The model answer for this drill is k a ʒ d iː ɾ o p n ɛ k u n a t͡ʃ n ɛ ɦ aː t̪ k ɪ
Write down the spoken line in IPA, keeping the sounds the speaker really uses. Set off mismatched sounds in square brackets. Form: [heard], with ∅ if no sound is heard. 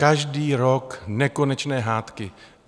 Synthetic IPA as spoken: k a ʒ d iː ɾ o [k] n ɛ k [o] n [ɛ] t͡ʃ n [ɛː] ɦ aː t̪ k ɪ